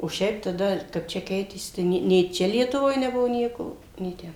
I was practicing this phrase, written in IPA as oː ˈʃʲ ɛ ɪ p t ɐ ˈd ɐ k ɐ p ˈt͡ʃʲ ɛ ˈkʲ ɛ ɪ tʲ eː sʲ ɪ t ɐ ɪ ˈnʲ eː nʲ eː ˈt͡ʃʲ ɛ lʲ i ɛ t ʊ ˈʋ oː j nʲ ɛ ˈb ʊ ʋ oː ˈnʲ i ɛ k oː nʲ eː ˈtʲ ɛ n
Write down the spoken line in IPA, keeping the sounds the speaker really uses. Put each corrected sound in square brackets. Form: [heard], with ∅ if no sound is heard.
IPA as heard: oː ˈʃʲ ɛ ɪ p t ɐ ˈd ɐ k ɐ p ˈt͡ʃʲ ɛ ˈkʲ ɛ ɪ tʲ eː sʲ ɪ t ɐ ɪ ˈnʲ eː nʲ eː ˈt͡ʃʲ ɛ lʲ i ɛ t ʊ ˈʋ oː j nʲ ɛ ˈb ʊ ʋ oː ˈnʲ i ɛ k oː nʲ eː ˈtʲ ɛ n